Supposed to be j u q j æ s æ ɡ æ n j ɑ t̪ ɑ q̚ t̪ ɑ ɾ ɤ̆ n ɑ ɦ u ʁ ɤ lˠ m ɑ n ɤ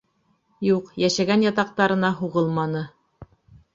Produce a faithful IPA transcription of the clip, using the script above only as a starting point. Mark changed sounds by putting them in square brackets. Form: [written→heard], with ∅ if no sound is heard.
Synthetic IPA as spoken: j u q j æ [s→ʃ] æ ɡ æ n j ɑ t̪ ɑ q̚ t̪ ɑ ɾ ɤ̆ n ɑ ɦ u ʁ ɤ lˠ m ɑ n ɤ